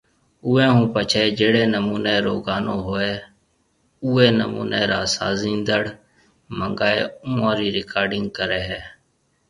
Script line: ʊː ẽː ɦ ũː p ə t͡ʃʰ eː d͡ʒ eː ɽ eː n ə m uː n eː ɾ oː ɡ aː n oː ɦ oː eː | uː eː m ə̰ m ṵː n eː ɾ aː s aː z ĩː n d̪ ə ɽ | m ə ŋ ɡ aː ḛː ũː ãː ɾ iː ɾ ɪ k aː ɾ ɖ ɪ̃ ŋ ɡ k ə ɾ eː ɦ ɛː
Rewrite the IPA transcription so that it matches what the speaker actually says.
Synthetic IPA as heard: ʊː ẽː ɦ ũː p ə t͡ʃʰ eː d͡ʒ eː ɽ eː n ə m uː n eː ɾ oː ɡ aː n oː ɦ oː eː | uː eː n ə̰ m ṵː n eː ɾ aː s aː z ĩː n d̪ ə ɽ | m ə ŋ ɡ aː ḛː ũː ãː ɾ iː ɾ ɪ k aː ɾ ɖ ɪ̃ ŋ ɡ k ə ɾ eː ɦ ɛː